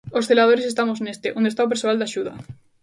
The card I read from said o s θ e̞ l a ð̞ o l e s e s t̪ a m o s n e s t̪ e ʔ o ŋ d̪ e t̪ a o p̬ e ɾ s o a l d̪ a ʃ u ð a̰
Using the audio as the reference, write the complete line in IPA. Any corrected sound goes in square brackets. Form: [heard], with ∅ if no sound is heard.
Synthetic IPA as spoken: o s θ e̞ l a ð̞ o [ɾ] e s e s t̪ a m o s n e s t̪ e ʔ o [n] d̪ e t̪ a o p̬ e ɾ s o a l d̪ a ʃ u ð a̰